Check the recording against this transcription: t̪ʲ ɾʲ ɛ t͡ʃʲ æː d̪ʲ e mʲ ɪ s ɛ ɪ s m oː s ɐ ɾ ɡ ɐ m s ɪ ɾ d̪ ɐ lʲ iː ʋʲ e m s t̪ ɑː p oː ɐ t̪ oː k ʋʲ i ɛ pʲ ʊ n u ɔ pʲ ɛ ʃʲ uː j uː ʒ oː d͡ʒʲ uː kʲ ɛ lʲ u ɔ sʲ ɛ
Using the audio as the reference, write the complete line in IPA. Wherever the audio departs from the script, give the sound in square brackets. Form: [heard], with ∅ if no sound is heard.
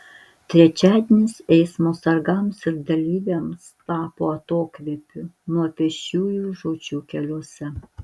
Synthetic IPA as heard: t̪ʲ ɾʲ ɛ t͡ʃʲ æː d̪ʲ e [nʲ] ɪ s ɛ ɪ s m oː s ɐ ɾ ɡ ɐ m s ɪ ɾ d̪ ɐ lʲ iː ʋʲ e m s t̪ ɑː p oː ɐ t̪ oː k ʋʲ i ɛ pʲ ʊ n u ɔ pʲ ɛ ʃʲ uː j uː ʒ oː d͡ʒʲ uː kʲ ɛ lʲ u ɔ sʲ ɛ

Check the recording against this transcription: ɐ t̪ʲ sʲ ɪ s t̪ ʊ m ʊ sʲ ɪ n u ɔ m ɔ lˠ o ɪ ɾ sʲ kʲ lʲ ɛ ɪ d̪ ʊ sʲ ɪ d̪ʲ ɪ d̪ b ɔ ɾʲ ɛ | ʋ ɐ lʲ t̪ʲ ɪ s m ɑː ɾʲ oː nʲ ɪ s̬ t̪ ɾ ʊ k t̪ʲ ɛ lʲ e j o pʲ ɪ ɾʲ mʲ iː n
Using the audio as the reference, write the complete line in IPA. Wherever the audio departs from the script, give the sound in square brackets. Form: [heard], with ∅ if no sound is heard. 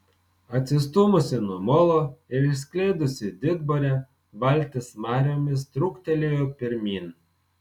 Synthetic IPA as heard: ɐ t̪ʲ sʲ ɪ s t̪ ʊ m ʊ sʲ ɪ n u ɔ m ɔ lˠ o ɪ ɾ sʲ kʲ lʲ ɛ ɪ d̪ ʊ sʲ ɪ d̪ʲ ɪ d̪ b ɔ ɾʲ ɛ | ʋ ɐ lʲ t̪ʲ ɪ s m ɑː ɾʲ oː [mʲ] ɪ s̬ t̪ ɾ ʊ k t̪ʲ ɛ lʲ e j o pʲ ɪ ɾʲ mʲ iː n

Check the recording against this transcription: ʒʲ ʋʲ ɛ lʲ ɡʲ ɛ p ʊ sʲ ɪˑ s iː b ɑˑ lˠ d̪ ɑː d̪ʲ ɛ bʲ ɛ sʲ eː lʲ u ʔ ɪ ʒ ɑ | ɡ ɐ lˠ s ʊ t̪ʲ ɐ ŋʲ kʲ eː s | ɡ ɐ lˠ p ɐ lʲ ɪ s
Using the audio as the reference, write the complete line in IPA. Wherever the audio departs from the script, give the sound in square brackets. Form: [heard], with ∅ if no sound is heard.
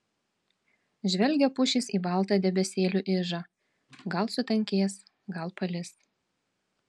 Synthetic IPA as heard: ʒʲ ʋʲ ɛ lʲ ɡʲ ɛ p ʊ [ʃʲ] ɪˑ s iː b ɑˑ lˠ [t̪] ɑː d̪ʲ ɛ bʲ ɛ sʲ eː lʲ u ʔ ɪ ʒ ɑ | ɡ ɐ lˠ s ʊ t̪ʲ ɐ ŋʲ kʲ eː s | ɡ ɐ lˠ p ɐ lʲ ɪ s

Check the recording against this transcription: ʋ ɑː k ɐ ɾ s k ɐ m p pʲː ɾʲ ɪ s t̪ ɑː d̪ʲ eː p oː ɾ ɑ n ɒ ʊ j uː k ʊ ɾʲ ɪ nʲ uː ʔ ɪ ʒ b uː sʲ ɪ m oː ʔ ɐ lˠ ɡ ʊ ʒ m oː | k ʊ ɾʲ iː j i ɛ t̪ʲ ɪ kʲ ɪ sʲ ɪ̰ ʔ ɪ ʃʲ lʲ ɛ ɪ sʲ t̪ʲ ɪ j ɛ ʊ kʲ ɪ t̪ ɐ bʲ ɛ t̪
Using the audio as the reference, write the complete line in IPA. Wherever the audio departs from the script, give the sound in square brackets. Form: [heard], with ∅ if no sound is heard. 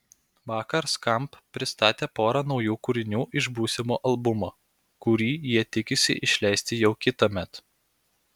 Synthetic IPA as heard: ʋ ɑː k ɐ ɾ s k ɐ m p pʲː ɾʲ ɪ s t̪ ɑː [t̪ʲ] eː p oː ɾ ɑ n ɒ ʊ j uː k ʊ ɾʲ ɪ nʲ uː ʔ ɪ ʒ b uː sʲ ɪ m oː ʔ ɐ lˠ [b] ʊ [∅] m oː | k ʊ ɾʲ iː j i ɛ t̪ʲ ɪ kʲ ɪ sʲ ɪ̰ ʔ ɪ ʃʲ lʲ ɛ ɪ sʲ t̪ʲ ɪ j ɛ ʊ kʲ ɪ t̪ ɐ [mʲ] ɛ t̪

